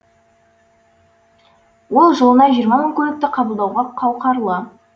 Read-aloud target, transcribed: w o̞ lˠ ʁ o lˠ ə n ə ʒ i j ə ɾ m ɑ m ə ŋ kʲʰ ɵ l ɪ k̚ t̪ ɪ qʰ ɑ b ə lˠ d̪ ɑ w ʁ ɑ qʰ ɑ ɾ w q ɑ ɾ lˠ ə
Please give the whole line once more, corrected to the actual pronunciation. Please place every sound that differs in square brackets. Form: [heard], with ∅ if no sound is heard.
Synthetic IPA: w o̞ lˠ [ʒ] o lˠ ə n [ɑ] ʒ i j ə ɾ m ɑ m ə ŋ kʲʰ ɵ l ɪ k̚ t̪ ɪ qʰ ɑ b ə lˠ d̪ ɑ w ʁ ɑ qʰ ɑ [∅] w q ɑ ɾ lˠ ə

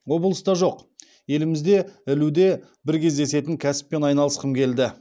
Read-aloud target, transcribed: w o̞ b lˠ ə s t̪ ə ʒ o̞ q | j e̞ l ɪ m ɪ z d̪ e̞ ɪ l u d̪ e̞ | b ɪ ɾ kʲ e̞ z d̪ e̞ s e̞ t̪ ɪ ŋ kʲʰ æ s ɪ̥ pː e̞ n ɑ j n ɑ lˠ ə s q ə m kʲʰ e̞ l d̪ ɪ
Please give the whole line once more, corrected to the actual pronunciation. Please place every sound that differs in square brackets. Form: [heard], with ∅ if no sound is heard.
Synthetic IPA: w o̞ b lˠ ə s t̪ [ɑ] ʒ o̞ q | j e̞ l ɪ m ɪ z d̪ e̞ ɪ l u d̪ e̞ | b ɪ ɾ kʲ e̞ z d̪ e̞ s e̞ t̪ ɪ ŋ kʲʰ æ s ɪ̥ pː e̞ n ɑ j n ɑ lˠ ə s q ə m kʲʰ e̞ l d̪ ɪ

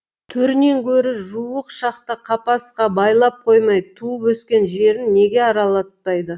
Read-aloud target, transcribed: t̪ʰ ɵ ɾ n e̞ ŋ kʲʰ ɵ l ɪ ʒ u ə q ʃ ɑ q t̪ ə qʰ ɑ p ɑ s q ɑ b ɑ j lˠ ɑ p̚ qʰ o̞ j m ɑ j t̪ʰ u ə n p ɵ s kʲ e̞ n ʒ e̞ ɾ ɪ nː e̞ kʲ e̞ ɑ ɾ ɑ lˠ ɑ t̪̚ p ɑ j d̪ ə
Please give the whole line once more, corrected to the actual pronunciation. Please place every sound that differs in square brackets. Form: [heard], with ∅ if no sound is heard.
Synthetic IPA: t̪ʰ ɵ ɾ n e̞ ŋ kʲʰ ɵ [ɾ] ɪ ʒ u ə q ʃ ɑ q t̪ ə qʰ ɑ p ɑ s q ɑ b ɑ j lˠ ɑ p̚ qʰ o̞ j m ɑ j t̪ʰ u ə [∅] p ɵ s kʲ e̞ n ʒ e̞ ɾ ɪ nː e̞ [ɡʲ] e̞ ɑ ɾ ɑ lˠ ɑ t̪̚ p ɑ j d̪ ə

